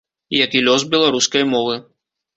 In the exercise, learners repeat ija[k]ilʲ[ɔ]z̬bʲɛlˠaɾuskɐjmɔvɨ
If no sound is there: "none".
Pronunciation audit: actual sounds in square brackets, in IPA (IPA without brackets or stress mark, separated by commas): k, ɔ